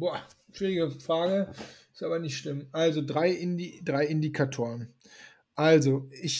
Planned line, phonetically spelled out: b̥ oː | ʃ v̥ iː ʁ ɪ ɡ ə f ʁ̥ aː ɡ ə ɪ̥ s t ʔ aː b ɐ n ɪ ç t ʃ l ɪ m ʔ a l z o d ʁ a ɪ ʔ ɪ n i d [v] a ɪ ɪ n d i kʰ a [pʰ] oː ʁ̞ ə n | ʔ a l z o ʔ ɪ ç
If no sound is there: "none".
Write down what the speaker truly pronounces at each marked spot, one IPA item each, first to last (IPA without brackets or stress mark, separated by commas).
ʁ, tʰ